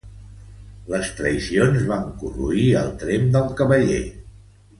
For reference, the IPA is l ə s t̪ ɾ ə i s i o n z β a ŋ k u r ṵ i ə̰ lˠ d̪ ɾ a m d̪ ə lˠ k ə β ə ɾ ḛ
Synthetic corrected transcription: l ə s t̪ ɾ ə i s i o n z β a ŋ k u r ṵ i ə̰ lˠ t̪ ɾ e m d̪ ə lˠ k ə β ə ʎ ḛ